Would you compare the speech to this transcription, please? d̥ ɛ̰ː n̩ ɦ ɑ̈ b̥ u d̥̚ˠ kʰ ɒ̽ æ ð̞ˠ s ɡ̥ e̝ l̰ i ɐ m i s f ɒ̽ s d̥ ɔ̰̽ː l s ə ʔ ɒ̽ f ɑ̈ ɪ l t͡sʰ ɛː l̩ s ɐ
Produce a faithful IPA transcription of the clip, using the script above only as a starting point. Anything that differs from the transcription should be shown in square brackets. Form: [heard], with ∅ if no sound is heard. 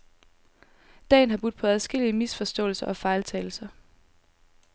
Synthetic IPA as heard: d̥ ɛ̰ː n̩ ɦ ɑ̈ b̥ u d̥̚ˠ [pʰ] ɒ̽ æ ð̞ˠ s ɡ̥ e̝ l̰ i [ə] m i s f ɒ̽ s d̥ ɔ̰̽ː l s [ɐ] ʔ ɒ̽ f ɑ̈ ɪ l t͡sʰ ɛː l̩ s ɐ